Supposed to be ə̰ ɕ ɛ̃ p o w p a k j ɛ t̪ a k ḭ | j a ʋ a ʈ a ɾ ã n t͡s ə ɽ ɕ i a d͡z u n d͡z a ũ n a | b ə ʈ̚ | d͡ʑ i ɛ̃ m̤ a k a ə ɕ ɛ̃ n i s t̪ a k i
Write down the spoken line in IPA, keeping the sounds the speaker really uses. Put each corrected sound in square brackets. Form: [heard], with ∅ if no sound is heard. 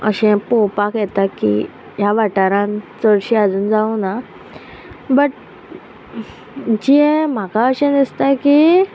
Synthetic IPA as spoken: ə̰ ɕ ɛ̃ p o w p a k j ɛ t̪ a k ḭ | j a ʋ a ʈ a ɾ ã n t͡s ə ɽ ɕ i a d͡z [uː] n d͡z a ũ n a | b ə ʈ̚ | d͡ʑ i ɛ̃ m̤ a k a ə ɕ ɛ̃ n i s t̪ a k i

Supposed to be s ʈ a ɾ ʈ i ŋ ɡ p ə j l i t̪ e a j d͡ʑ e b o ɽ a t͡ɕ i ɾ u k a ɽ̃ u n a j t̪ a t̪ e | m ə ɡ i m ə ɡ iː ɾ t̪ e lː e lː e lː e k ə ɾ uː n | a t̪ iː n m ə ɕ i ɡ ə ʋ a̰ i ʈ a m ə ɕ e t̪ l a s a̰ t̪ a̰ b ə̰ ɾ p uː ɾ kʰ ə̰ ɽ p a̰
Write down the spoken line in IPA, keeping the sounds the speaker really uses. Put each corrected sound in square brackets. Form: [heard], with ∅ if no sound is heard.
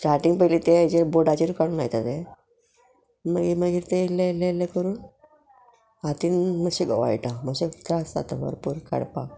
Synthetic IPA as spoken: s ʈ a ɾ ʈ i ŋ ɡ p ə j l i t̪ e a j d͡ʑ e b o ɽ a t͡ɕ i ɾ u k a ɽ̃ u n a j t̪ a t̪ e | m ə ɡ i m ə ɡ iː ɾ t̪ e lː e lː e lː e k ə ɾ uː n | a t̪ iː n m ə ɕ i ɡ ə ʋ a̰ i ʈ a m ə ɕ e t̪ [ɾ] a s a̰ t̪ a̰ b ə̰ ɾ p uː ɾ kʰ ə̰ ɽ p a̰

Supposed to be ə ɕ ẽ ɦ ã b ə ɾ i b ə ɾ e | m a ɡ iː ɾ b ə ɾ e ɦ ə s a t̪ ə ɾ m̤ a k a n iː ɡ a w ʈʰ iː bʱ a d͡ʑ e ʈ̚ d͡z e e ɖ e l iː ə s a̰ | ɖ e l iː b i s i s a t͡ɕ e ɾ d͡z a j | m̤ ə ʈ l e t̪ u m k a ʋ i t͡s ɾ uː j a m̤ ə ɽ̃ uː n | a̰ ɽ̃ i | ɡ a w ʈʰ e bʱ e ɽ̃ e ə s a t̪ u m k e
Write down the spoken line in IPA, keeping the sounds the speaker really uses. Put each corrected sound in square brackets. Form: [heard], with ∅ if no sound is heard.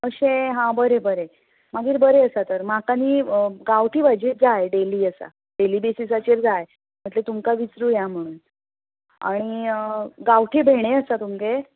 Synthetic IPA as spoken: ə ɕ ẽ ɦ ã b ə ɾ [e] b ə ɾ e | m a ɡ iː ɾ b ə ɾ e [∅] ə s a t̪ ə ɾ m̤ a k a n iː ɡ a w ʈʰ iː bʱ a d͡ʑ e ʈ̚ d͡z [a] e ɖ e l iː ə s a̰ | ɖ e l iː b [e] s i s a t͡ɕ e ɾ d͡z a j | m̤ ə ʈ l e t̪ u m k a ʋ i t͡s ɾ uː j a m̤ ə ɽ̃ uː n | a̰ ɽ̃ i | ɡ a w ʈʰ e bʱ e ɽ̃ e ə s a t̪ u m k e

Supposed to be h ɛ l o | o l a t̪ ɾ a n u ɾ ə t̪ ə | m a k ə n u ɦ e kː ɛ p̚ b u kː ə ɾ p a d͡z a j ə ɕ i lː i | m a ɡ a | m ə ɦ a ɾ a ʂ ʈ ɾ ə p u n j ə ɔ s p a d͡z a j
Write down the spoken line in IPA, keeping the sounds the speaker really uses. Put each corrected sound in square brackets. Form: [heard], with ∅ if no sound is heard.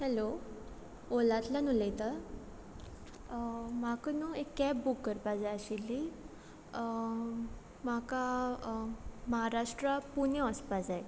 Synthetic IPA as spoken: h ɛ l o | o l a t̪ [l] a n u [l] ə t̪ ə | m a k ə n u [∅] e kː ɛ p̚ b u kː ə ɾ p a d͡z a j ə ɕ i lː i | m a [k] a | m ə ɦ a ɾ a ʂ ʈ ɾ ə p u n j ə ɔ s p a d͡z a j

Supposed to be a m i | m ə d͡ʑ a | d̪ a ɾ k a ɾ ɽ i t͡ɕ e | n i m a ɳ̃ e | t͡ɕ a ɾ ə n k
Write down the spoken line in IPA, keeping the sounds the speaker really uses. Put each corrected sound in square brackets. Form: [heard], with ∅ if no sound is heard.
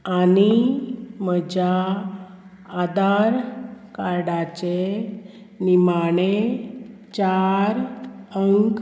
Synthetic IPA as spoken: a [n] i | m ə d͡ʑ a | d̪ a ɾ k a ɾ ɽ [a] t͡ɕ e | n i m a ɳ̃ e | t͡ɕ a ɾ ə [ŋ] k

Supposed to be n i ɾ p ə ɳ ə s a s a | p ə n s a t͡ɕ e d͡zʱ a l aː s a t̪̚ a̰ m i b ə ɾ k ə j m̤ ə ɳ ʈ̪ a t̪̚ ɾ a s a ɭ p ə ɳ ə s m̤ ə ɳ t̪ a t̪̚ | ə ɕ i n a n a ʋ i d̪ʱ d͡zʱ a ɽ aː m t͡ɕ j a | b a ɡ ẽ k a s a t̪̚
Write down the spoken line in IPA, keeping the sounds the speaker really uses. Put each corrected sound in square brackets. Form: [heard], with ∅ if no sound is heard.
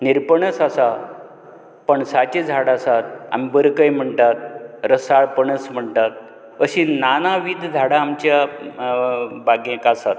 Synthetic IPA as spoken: n i ɾ p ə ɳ ə s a s a | p ə [ɳ] s a t͡ɕ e d͡zʱ a [ɽ] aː s a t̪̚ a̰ m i b ə ɾ k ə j m̤ ə ɳ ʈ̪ a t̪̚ ɾ [ə] s a ɭ p ə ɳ ə s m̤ ə ɳ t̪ a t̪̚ | ə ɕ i n a n a ʋ i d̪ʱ d͡zʱ a ɽ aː m t͡ɕ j a | b a ɡ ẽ k a s a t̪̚

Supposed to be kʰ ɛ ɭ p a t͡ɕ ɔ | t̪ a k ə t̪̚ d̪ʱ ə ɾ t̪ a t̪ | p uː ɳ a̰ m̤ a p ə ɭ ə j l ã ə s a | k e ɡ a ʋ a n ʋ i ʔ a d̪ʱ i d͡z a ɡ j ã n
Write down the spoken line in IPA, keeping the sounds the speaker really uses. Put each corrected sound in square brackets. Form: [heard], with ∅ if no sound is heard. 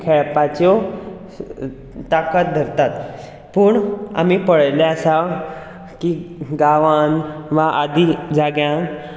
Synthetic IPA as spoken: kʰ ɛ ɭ p a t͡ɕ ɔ | t̪ a k ə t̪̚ d̪ʱ ə ɾ t̪ a t̪ | p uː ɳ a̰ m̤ [i] p ə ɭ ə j l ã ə s a | k [i] ɡ a ʋ a n ʋ [a] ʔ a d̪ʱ i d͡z a ɡ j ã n

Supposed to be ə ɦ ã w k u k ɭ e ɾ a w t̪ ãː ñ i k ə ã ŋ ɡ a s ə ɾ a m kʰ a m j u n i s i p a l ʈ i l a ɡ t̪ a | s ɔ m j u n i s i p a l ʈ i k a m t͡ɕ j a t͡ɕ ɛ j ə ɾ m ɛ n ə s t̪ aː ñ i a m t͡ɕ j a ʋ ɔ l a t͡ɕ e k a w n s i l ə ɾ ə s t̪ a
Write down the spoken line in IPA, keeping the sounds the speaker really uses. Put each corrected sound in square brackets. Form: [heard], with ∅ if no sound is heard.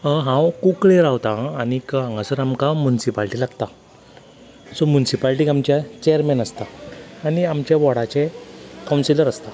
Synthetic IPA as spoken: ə ɦ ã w k u k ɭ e ɾ a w t̪ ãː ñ i k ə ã ŋ ɡ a s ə ɾ a m [k] a m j u n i s i p a l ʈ i l a ɡ t̪ a | s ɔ m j u n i s i p a l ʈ i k a m t͡ɕ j a t͡ɕ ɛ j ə ɾ m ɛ n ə s t̪ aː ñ i a m t͡ɕ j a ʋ ɔ [ɽ] a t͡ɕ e k a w n s i l ə ɾ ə s t̪ a

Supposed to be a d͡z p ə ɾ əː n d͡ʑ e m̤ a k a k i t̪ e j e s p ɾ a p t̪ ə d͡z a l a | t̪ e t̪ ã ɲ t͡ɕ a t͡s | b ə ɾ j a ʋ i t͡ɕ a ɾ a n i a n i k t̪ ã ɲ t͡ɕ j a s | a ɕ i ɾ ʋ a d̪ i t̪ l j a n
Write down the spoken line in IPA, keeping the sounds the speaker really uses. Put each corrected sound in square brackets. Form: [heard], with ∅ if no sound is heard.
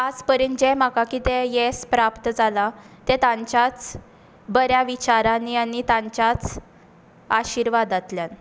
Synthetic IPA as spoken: a d͡z p ə ɾ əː n d͡ʑ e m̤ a k a k i t̪ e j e s p ɾ a p t̪ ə d͡z a l a | t̪ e t̪ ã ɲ t͡ɕ a t͡s | b ə ɾ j a ʋ i t͡ɕ a ɾ a n i a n i [∅] t̪ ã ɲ t͡ɕ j a [t͡s] | a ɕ i ɾ ʋ a d̪ [a] t̪ l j a n

